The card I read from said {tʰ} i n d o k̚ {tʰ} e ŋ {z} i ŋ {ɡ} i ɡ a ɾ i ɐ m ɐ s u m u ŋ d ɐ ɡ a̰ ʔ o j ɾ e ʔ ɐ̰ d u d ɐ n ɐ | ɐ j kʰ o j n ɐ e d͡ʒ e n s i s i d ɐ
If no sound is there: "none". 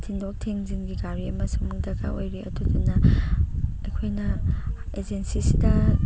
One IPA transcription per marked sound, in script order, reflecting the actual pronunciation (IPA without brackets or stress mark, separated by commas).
tʰ, tʰ, z, ɡ